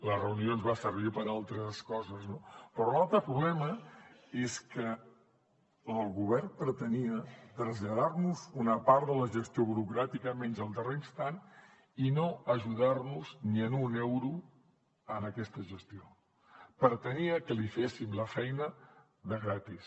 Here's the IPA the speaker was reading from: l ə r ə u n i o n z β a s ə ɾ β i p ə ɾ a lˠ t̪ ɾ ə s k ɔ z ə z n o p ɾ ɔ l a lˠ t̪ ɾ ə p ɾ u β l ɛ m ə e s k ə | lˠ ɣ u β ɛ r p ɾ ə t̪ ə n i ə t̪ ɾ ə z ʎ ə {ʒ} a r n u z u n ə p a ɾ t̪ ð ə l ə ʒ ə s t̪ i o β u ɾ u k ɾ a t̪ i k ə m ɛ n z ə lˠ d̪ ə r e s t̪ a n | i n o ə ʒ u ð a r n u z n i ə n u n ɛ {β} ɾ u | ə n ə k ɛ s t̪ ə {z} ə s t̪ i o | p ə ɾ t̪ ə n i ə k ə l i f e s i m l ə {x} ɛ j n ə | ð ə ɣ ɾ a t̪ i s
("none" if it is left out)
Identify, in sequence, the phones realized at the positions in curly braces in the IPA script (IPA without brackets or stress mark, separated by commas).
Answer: ð, w, ʒ, f